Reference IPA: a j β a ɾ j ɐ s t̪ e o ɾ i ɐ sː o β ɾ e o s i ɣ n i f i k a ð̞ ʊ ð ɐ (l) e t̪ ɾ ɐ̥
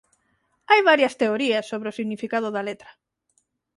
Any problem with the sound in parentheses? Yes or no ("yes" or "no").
no